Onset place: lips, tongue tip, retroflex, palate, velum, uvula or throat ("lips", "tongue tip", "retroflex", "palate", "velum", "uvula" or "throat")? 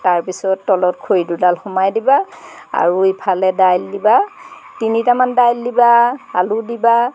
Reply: tongue tip